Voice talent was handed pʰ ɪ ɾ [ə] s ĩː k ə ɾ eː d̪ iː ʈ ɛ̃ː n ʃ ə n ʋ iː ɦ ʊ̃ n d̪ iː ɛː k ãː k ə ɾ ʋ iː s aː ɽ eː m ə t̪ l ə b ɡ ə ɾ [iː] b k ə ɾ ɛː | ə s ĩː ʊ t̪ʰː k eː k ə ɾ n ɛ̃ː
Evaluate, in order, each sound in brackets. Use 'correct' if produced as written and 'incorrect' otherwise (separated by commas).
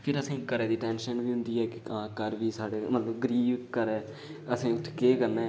correct, correct